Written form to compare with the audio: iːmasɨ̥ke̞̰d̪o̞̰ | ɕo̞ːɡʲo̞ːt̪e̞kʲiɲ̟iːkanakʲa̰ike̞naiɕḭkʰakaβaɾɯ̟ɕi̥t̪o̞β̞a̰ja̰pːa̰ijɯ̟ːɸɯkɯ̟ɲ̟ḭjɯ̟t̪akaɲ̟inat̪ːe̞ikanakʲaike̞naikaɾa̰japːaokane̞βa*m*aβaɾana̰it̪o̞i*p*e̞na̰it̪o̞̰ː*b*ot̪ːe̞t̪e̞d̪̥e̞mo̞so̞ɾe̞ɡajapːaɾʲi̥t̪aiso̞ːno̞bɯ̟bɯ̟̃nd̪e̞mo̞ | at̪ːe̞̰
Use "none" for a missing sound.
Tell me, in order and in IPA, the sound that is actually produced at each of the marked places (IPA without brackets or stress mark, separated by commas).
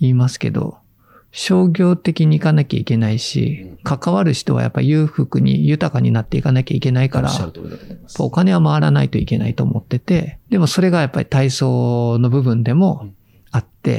m, k, m